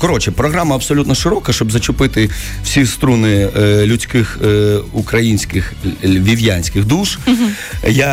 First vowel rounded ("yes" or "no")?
yes